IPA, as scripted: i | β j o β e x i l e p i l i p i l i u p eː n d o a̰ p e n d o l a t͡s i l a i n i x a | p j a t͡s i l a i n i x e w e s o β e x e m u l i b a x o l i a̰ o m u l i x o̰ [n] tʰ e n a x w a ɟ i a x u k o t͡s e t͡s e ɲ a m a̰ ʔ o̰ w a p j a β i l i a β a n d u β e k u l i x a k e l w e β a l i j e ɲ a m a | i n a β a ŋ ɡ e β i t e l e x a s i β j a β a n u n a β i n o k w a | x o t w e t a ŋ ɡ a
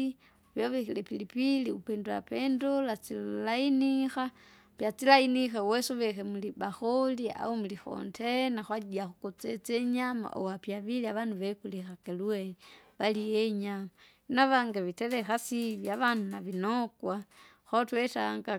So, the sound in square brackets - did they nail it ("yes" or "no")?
yes